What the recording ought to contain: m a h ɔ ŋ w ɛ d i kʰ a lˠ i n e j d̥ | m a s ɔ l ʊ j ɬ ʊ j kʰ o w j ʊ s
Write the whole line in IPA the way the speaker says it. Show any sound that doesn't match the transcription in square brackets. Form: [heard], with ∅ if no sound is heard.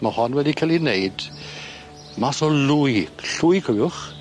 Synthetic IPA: m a h ɔ [n] w ɛ d i kʰ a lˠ i n e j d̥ | m a s ɔ l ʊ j ɬ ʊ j kʰ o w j ʊ [χ]

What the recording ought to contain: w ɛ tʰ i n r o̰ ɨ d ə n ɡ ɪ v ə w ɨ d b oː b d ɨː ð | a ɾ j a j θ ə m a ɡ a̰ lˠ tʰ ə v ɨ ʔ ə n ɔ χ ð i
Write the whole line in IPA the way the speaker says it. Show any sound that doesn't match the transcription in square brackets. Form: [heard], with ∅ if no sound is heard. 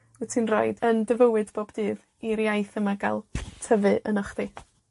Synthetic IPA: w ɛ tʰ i n r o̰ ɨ d ə n [d] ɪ v ə w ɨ d b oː b d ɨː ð | [i] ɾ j a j θ ə m a ɡ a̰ lˠ tʰ ə v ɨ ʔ ə n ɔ χ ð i

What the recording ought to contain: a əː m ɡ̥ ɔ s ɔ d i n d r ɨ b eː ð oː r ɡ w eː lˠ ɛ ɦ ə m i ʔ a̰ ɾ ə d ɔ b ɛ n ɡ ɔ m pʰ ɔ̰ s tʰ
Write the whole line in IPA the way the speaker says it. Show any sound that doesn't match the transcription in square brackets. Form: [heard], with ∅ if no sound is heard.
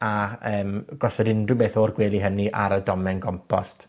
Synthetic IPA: a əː m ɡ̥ ɔ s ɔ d [ɪ] n d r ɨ b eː [θ] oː r ɡ w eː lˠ [i] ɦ ə [n] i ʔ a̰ ɾ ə d ɔ [m] ɛ n ɡ ɔ m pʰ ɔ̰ s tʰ

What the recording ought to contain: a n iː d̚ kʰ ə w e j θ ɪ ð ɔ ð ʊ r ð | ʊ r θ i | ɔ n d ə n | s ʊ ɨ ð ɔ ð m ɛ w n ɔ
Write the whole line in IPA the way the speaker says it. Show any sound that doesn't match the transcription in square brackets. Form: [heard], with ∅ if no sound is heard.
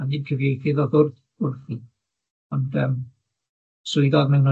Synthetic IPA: a n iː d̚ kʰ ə [v] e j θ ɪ ð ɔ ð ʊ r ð | ʊ r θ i | ɔ n d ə [m] | s ʊ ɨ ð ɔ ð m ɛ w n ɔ

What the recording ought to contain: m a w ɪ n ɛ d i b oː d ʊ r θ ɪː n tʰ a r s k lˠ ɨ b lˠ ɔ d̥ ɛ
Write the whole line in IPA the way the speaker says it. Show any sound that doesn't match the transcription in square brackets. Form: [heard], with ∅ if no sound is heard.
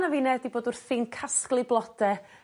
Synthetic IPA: [n] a [v] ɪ n ɛ d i b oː d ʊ r θ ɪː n [kʰ] a [∅] s k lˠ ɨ b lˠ ɔ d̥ ɛ

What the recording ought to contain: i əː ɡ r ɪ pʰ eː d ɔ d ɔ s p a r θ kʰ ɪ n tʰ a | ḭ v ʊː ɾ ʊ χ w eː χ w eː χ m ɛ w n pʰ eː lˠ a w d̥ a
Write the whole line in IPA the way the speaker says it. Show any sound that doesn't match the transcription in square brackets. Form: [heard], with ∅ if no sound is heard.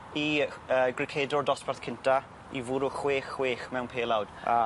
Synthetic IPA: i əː ɡ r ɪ [kʰ] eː d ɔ d ɔ s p a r θ kʰ ɪ n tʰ a | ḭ v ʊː ɾ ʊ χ w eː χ w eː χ m ɛ w n pʰ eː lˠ a w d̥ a

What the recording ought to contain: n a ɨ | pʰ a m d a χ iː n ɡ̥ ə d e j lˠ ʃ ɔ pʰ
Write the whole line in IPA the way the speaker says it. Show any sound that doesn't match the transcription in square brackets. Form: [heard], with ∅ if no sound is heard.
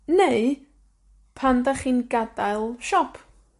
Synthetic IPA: n [e] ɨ | pʰ a [n] d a χ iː n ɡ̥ [a] d [a] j lˠ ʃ ɔ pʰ

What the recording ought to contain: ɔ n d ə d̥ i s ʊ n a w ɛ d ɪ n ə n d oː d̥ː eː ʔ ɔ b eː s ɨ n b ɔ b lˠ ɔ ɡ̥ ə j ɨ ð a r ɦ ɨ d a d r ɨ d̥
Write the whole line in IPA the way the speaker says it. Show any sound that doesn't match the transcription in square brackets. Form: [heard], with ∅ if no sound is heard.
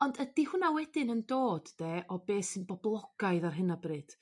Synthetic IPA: ɔ n d ə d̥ i [h] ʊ n a w ɛ d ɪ n ə n d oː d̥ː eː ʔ ɔ b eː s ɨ n b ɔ b lˠ ɔ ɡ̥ [a] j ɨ ð a r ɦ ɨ [n] a [b] r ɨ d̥

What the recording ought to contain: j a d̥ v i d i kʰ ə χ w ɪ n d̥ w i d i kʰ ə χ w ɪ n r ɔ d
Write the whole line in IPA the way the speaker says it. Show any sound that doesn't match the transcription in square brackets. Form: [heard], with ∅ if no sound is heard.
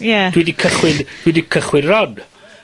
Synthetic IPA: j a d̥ [w] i d i kʰ ə χ w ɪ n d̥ w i d i kʰ ə χ w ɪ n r ɔ d

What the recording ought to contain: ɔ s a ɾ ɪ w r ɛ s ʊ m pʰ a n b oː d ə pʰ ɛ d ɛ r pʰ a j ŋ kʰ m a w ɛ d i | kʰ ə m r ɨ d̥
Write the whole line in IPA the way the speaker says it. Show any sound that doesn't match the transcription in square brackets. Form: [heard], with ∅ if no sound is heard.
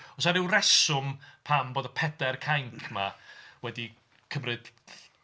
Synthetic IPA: ɔ s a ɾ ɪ w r ɛ s ʊ m pʰ a [m] b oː d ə pʰ ɛ d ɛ r [kʰ] a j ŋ kʰ m a w ɛ d i | kʰ ə m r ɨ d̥

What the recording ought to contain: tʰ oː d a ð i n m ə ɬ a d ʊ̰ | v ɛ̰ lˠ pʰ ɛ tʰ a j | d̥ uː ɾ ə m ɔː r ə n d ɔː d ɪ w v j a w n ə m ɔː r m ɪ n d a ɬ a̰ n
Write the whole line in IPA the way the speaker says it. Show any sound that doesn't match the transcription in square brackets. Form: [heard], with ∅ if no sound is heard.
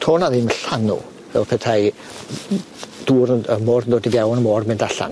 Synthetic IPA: tʰ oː [n] a ð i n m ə ɬ a [n] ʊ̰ | v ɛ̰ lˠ pʰ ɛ tʰ a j | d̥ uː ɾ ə m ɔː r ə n d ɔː d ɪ [∅] v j a w n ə m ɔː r m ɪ n d a ɬ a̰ n

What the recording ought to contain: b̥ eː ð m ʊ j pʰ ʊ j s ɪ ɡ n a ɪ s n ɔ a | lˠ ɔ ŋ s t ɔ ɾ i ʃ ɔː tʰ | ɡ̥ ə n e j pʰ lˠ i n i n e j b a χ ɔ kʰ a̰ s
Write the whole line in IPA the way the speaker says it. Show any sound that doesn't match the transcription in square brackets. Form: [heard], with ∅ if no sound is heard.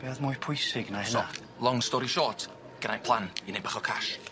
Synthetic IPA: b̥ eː ð m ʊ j pʰ ʊ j s ɪ ɡ n a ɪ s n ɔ a | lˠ ɔ ŋ s t ɔ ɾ i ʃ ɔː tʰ | ɡ̥ ə n [a] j pʰ lˠ [a] n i n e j b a χ ɔ kʰ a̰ [ʃ]

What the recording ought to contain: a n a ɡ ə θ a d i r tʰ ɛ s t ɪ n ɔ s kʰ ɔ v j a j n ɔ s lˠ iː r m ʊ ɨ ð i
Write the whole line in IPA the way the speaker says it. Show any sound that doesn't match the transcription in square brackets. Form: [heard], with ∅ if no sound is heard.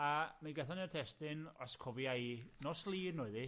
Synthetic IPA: a [m] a ɡ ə θ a [n] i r tʰ ɛ s t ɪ n ɔ s kʰ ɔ v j a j n ɔ s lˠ iː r [n] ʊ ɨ ð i

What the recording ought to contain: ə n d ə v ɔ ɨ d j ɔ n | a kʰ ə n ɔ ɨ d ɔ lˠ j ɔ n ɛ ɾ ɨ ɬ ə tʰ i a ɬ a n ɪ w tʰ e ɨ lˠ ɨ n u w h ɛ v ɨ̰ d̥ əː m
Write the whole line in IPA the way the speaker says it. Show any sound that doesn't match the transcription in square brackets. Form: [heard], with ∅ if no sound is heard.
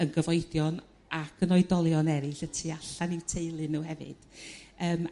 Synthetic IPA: ə n [ɡ] ə v ɔ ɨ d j ɔ n | a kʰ ə n ɔ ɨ d ɔ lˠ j ɔ n ɛ ɾ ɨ ɬ ə tʰ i a ɬ a n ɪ w tʰ e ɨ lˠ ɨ n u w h ɛ v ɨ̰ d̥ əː m

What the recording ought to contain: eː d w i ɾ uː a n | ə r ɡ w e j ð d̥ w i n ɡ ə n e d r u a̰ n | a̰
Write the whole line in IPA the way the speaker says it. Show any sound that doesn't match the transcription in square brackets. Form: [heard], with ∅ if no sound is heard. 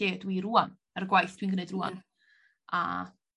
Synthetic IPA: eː d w i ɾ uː a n | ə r ɡ w [a] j [θ] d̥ w i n ɡ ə n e d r u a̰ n | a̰

